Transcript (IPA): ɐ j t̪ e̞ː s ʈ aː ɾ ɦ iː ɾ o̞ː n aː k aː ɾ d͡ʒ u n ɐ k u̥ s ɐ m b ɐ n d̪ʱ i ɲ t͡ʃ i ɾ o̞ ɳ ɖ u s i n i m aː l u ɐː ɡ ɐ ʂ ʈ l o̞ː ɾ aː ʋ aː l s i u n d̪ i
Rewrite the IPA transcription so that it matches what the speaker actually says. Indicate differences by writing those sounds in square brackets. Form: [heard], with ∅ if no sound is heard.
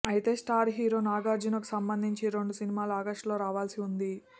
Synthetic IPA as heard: ɐ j t̪ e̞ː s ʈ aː ɾ ɦ iː ɾ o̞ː n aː [ɡ] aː ɾ d͡ʒ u n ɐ k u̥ s ɐ m b ɐ n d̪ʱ i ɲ t͡ʃ i ɾ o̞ ɳ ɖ u s i n i m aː l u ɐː ɡ ɐ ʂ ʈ l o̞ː ɾ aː ʋ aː l s i u n d̪ i